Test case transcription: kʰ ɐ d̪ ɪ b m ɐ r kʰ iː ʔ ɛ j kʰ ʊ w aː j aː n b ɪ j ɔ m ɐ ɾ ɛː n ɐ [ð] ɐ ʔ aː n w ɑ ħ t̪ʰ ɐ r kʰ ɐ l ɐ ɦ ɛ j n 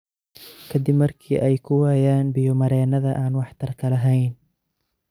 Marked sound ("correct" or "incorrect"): correct